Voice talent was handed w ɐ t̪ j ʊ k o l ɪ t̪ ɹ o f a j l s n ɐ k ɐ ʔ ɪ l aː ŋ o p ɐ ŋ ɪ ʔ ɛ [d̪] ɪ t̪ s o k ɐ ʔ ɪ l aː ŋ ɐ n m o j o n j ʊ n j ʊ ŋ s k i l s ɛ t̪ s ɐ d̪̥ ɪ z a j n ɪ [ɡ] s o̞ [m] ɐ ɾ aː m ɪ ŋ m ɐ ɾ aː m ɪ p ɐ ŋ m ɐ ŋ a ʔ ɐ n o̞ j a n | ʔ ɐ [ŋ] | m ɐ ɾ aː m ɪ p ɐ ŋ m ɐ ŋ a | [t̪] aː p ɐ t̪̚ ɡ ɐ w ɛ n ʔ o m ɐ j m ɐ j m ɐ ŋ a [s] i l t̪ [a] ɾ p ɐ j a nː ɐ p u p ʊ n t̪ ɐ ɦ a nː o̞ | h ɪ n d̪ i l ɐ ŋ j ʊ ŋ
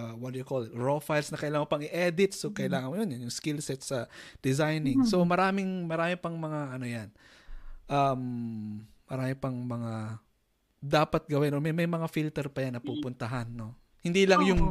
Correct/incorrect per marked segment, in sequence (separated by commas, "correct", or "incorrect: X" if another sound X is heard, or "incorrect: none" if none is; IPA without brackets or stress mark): correct, incorrect: ŋ, correct, incorrect: m, incorrect: d̪, incorrect: f, incorrect: ɛ